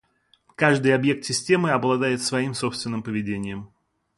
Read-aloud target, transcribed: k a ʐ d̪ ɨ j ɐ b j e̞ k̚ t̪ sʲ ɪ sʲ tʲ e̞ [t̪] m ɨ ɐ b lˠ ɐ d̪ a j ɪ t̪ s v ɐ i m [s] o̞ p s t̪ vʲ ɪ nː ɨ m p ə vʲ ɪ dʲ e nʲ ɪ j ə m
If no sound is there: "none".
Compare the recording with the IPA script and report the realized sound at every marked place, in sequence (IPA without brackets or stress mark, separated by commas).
none, s